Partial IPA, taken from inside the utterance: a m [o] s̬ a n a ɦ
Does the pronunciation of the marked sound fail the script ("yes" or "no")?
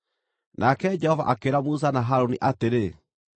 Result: yes